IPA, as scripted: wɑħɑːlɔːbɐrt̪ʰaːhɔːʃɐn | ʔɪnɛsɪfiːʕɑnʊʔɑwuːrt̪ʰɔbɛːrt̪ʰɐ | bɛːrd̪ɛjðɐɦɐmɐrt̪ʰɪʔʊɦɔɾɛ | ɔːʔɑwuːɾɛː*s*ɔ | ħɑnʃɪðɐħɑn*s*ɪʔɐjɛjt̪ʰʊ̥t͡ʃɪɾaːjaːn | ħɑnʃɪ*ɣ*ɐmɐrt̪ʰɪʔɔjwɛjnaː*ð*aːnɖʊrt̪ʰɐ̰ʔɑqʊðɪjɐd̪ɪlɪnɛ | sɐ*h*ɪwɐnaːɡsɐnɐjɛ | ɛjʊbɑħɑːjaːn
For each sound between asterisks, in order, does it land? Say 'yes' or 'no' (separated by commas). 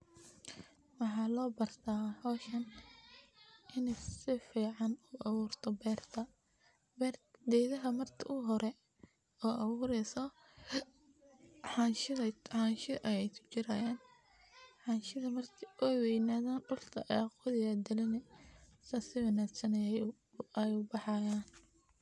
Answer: yes, no, no, yes, no